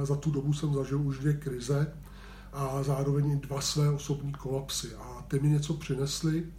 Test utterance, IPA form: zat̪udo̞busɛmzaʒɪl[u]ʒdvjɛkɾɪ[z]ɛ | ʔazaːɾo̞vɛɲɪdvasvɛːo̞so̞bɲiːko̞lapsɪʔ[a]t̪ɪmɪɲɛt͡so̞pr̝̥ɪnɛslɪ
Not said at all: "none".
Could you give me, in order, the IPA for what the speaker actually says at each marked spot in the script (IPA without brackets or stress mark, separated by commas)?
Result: u, z, a